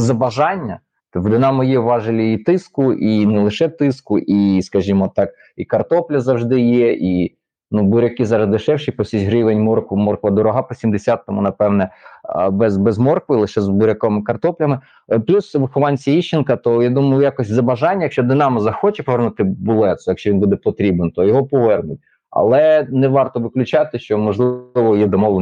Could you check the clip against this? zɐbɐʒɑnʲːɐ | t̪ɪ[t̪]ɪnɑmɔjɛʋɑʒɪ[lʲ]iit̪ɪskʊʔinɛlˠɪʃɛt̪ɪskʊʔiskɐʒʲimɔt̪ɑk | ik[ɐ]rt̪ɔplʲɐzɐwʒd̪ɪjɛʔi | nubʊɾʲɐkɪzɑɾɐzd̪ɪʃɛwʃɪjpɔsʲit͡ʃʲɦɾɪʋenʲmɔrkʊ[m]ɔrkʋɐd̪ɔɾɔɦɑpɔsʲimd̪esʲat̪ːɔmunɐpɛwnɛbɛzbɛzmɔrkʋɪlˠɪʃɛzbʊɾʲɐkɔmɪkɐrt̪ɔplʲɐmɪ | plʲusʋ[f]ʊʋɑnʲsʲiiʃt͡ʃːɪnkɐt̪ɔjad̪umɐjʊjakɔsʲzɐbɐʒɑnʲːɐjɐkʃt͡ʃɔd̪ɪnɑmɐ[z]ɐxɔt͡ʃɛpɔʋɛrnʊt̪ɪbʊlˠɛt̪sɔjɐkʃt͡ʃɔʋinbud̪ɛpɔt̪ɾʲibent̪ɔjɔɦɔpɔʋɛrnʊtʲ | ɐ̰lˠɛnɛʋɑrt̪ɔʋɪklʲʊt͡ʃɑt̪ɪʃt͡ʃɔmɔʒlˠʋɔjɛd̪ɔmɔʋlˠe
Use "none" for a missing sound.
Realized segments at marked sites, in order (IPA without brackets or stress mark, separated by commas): d̪, lʲ, ɐ, m, x, z